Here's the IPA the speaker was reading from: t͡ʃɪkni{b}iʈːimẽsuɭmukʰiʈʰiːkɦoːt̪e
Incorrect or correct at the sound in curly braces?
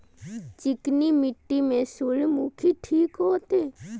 incorrect: m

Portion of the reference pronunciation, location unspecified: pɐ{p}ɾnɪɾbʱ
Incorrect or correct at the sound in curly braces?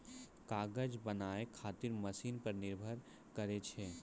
incorrect: none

